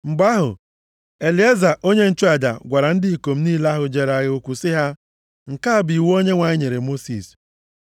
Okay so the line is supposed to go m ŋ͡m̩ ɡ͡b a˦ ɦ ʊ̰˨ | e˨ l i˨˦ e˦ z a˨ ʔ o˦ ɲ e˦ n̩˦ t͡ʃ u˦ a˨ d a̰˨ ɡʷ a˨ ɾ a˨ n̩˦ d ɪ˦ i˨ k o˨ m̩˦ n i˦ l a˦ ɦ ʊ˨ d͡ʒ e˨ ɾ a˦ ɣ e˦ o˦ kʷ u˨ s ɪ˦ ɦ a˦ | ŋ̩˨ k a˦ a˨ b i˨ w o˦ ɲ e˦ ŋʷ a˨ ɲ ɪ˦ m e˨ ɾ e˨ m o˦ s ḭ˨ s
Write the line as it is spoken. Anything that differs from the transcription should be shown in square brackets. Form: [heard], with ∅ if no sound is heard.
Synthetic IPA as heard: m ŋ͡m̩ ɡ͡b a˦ ɦ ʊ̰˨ | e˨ l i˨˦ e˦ z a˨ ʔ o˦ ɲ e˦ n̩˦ t͡ʃ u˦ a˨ d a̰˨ ɡʷ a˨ ɾ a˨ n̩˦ d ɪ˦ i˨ k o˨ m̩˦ n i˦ l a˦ ɦ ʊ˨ d͡ʒ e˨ ɾ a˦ ɣ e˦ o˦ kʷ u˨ s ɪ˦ ɦ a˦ | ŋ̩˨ k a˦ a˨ b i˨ w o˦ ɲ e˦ ŋʷ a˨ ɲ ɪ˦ [ɲ] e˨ ɾ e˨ m o˦ s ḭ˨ s